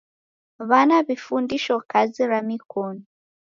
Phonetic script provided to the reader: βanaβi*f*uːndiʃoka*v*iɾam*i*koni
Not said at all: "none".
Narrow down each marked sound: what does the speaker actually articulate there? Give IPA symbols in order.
f, z, i

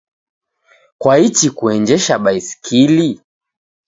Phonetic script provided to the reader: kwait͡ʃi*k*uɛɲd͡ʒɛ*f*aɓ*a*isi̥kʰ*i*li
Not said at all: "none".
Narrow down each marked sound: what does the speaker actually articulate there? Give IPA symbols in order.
k, ʃ, a, i

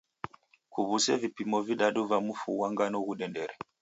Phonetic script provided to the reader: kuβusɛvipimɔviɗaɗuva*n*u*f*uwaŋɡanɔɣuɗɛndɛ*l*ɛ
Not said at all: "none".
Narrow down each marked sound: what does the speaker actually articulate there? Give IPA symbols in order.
m, f, ɾ

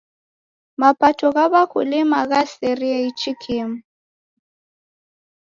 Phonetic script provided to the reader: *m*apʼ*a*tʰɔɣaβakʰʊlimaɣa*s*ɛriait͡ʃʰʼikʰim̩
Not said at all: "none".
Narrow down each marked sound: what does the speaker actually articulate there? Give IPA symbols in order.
m, a, s

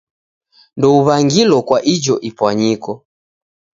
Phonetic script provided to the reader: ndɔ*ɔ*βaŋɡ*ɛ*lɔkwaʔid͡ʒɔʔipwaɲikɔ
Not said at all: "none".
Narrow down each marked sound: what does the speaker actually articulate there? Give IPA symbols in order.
u, i

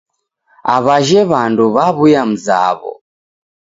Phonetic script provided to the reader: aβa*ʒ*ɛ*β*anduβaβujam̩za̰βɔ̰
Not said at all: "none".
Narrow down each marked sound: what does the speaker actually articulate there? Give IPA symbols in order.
ʒ, β

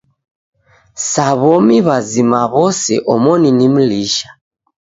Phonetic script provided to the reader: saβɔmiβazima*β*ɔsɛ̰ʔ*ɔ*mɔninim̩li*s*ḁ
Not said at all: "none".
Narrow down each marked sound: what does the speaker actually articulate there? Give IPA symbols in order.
β, ɔ, ʃ

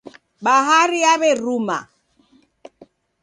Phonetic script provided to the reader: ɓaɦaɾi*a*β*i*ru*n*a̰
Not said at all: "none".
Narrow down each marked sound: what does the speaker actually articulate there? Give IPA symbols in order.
a, ɛ, m

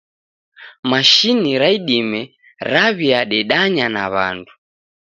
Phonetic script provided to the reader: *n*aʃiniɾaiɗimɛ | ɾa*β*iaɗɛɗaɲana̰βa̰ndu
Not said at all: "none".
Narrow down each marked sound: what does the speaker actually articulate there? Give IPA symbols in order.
m, β

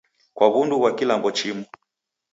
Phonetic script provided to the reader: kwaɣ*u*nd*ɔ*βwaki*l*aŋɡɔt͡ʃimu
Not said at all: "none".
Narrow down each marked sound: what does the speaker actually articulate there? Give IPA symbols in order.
u, u, l

